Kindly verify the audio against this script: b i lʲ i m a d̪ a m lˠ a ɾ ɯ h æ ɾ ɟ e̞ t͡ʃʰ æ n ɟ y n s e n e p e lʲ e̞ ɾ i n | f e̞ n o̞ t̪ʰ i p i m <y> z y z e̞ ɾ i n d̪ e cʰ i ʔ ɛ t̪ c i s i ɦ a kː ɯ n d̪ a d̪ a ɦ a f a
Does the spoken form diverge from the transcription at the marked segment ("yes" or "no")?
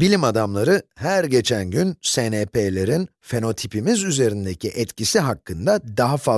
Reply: yes